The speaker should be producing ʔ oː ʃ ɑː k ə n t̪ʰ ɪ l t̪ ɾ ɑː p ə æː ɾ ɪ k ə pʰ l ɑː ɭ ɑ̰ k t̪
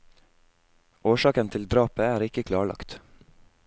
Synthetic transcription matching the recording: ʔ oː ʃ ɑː k ə n t̪ʰ ɪ l d̪ ɾ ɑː p ə æː ɾ ɪ k ə kʰ l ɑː ɭ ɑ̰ k t̪